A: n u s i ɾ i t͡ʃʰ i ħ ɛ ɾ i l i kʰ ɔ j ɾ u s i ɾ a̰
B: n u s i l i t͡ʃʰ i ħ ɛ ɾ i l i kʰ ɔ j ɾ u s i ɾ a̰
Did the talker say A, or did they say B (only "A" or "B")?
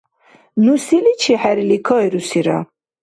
B